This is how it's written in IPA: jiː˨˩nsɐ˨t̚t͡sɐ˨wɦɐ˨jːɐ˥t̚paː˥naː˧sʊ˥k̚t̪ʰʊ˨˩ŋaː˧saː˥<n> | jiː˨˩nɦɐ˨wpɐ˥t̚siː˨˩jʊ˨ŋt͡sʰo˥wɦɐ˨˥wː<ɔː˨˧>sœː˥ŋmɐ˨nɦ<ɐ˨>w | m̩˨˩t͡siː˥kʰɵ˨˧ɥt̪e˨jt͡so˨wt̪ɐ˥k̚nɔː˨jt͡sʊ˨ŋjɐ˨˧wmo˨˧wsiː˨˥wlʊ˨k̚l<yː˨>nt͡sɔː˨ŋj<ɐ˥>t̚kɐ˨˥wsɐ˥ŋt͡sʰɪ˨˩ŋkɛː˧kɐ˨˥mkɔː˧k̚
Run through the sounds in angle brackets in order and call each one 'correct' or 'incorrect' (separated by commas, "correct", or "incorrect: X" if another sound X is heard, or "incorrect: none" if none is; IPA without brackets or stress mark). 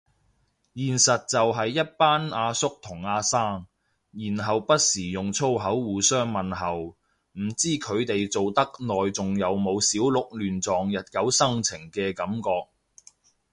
incorrect: ŋ, incorrect: uː˨˧, correct, correct, incorrect: ɐ˨